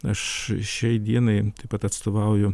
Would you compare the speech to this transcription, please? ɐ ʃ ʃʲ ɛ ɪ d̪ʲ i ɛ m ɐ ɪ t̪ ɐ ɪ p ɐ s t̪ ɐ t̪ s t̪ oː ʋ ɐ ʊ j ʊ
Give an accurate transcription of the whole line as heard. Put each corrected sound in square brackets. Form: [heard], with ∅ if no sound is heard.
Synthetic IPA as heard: ɐ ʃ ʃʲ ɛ ɪ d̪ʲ i ɛ [n] ɐ ɪ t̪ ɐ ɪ p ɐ [∅] t̪ ɐ t̪ s t̪ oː ʋ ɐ ʊ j ʊ